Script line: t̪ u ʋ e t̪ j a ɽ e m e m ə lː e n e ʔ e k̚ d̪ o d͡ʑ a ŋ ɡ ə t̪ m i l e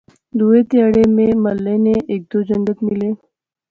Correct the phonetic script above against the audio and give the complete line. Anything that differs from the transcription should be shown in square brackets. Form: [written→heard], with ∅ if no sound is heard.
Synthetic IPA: [t̪→d̪] u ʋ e t̪ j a ɽ e m e m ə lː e n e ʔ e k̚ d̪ o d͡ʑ [a→ə] ŋ ɡ ə t̪ m i l e